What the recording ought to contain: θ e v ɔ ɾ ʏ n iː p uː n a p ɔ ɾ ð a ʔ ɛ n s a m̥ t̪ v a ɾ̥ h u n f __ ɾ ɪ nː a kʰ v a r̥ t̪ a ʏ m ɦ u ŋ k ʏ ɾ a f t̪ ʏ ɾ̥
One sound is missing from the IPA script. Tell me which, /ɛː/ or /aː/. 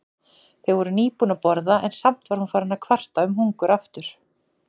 aː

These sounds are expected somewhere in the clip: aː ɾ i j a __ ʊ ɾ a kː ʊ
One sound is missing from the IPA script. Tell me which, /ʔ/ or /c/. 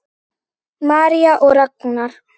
ʔ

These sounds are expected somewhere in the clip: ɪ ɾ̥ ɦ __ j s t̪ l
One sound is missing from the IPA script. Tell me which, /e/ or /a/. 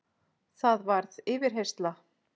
e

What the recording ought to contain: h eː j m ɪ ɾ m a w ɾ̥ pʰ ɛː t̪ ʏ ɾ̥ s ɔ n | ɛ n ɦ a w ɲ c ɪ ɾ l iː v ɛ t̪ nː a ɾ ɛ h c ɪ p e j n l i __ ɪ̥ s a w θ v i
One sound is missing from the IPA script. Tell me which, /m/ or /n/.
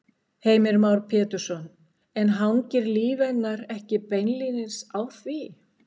n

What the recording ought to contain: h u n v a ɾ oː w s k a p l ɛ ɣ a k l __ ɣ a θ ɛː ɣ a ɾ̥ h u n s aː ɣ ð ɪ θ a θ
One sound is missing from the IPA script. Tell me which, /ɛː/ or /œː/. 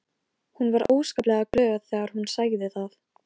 œː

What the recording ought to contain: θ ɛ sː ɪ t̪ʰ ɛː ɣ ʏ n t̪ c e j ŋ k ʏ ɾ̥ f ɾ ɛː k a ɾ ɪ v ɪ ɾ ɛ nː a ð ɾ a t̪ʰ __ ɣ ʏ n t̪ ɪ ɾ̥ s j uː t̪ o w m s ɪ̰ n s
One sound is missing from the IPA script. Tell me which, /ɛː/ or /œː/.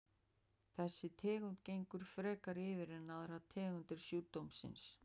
ɛː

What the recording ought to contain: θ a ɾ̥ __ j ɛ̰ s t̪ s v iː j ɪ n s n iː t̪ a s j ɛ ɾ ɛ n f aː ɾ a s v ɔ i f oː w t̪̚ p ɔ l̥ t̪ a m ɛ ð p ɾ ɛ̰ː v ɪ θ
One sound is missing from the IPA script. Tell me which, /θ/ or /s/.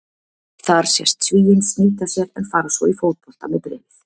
s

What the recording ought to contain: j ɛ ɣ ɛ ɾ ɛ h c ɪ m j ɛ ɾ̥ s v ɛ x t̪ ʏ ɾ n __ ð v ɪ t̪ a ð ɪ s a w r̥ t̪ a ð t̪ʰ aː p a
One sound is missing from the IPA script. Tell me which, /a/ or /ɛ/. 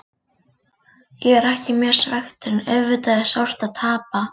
ɛ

